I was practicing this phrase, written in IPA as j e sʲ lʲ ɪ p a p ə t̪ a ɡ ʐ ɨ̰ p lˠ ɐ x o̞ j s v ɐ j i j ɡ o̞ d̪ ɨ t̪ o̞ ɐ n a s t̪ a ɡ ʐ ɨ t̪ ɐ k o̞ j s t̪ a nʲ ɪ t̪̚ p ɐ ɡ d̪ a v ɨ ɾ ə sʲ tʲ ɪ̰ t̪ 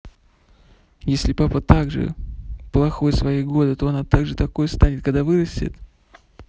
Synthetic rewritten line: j e sʲ lʲ ɪ p a p ə t̪ a ɡ ʐ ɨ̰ p lˠ ɐ x o̞ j s v ɐ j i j ɡ o̞ d̪ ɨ t̪ o̞ ɐ n a t̪ a ɡ ʐ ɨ t̪ ɐ k o̞ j s t̪ a nʲ ɪ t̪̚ k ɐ ɡ d̪ a v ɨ ɾ ə sʲ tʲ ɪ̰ t̪